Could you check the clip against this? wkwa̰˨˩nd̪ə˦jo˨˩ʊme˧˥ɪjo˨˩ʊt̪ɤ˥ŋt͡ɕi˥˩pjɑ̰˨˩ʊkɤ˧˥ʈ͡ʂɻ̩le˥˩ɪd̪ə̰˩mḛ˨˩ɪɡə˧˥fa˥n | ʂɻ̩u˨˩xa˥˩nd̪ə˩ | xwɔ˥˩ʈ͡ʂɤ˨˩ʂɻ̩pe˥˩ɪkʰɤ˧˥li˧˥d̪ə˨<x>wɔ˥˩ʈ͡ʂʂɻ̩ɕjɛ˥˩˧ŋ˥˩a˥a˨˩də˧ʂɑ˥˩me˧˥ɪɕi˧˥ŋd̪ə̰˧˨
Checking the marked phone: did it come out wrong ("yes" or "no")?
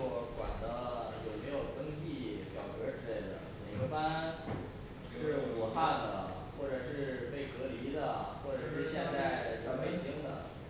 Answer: no